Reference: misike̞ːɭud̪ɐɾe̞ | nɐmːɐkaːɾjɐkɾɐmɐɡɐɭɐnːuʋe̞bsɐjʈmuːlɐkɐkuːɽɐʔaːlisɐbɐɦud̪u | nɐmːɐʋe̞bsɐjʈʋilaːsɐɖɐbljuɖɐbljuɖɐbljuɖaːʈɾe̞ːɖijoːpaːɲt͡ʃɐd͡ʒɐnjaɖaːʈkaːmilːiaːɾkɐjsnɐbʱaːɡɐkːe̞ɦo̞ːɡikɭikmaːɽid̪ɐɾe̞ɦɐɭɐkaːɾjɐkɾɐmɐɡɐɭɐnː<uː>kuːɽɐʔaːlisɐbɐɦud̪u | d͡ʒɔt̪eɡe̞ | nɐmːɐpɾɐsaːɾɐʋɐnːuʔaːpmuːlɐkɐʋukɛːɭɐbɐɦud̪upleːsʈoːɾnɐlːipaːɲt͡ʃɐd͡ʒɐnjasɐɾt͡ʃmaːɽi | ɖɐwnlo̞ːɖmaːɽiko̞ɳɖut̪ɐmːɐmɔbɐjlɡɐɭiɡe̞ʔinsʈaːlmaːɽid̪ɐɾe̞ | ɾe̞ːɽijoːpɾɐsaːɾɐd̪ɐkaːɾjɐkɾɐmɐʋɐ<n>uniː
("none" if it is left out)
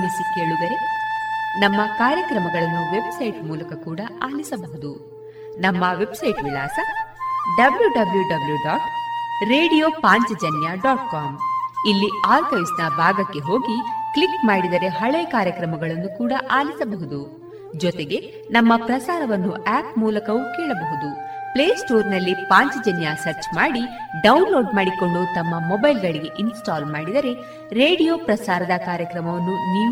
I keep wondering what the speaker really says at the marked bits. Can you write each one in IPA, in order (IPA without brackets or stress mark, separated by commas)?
u, nː